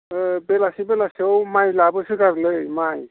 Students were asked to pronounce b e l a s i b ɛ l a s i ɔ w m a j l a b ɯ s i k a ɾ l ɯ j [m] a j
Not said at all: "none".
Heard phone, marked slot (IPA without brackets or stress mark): m